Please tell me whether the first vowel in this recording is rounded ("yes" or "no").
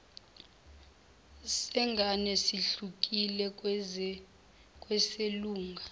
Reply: no